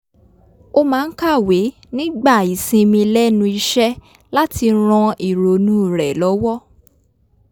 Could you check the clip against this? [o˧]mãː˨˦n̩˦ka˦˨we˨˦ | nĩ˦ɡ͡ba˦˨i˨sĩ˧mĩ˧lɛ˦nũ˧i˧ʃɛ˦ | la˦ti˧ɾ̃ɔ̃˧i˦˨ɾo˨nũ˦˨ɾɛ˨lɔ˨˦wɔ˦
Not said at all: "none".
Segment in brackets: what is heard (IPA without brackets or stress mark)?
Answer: o˧